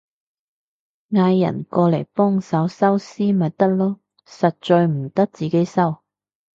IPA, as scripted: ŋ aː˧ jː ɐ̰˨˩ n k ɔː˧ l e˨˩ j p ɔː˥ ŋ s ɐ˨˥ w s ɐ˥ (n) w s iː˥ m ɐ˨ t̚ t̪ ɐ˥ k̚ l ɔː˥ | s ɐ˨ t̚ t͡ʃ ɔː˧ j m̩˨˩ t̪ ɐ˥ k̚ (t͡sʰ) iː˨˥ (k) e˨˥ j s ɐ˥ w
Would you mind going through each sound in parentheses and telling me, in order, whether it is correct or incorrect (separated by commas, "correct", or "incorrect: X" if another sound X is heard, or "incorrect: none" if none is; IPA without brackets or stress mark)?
incorrect: none, incorrect: t͡s, correct